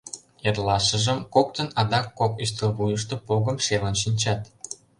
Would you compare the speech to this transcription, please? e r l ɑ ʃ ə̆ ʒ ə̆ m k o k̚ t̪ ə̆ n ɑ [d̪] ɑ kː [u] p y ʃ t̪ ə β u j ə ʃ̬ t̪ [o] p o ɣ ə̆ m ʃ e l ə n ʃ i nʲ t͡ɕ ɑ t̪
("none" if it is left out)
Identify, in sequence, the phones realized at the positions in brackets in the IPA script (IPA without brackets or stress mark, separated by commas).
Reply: d̪, o, o